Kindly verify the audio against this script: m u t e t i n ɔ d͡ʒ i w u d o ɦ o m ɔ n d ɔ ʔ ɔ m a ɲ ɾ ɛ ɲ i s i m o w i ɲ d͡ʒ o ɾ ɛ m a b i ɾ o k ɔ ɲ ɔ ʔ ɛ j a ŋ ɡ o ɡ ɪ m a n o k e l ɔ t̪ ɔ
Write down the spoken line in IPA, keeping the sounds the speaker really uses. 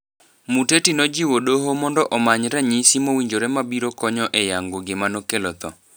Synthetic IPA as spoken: m u t e t i n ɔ d͡ʒ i w o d o ɦ o m ɔ n d ɔ ʔ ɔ m a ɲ ɾ ɛ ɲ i s i m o w i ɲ d͡ʒ o ɾ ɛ m a b i ɾ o k ɔ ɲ ɔ ʔ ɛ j a ŋ ɡ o ɡ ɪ m a n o k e l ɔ t̪ ɔ